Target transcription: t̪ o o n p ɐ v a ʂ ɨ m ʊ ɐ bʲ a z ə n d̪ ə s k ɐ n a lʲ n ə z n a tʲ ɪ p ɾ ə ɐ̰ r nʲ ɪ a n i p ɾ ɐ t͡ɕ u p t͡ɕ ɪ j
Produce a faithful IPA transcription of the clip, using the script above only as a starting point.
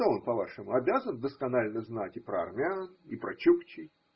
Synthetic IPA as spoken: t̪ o o n p ɐ v a ʂ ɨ m ʊ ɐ bʲ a z ə n d̪ ə s k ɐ n a lʲ n ə z n a tʲ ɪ p ɾ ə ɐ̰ r mʲ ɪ a n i p ɾ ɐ t͡ɕ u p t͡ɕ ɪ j